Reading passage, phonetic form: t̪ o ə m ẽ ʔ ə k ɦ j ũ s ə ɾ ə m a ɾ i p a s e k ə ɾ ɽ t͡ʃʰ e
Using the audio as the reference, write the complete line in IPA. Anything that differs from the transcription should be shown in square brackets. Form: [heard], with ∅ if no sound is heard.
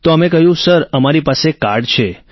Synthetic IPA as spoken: t̪ o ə m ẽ [k] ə [∅] ɦ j ũ s ə ɾ ə m a ɾ i p a s e k [a] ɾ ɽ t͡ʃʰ e